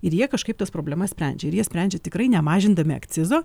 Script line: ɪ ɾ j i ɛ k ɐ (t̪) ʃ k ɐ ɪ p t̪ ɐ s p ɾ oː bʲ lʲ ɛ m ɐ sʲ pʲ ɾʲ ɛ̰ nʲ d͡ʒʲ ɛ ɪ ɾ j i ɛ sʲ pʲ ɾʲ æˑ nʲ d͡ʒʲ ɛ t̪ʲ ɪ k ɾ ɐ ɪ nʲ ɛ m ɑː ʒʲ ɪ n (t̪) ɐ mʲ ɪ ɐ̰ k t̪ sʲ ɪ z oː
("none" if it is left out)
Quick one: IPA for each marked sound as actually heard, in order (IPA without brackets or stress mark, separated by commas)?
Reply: none, d̪